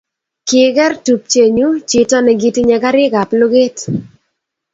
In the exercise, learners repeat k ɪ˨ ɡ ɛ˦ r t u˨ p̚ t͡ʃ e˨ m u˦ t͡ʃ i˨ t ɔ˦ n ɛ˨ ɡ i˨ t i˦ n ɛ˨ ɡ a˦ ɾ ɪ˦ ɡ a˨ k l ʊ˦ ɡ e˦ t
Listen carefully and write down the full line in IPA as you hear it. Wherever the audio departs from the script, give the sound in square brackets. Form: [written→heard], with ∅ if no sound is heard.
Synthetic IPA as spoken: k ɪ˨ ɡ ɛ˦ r t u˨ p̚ t͡ʃ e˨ [m→ɲ] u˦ t͡ʃ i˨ t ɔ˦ n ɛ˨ ɡ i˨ t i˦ [n→ɲ] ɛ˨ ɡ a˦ ɾ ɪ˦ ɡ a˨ [k→p] l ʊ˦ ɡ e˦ t